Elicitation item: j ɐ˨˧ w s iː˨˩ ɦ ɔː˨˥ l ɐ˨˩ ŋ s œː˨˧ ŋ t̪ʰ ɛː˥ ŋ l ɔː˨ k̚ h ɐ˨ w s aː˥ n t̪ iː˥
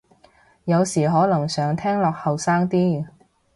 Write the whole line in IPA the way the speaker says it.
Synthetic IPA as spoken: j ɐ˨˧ w s iː˨˩ ɦ ɔː˨˥ l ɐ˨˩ ŋ s œː˨˧ ŋ t̪ʰ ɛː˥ ŋ l ɔː˨ k̚ h ɐ˨ w s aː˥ ŋ t̪ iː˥